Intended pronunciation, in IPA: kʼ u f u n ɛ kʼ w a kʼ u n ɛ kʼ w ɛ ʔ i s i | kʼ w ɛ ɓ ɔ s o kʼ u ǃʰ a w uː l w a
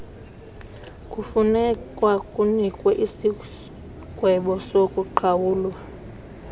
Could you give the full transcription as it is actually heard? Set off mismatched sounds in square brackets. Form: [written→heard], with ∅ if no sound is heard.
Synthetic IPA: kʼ u f u n ɛ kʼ w a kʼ u n [ɛ→i] kʼ w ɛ ʔ i s i | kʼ w ɛ ɓ ɔ s o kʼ u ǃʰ a w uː l w a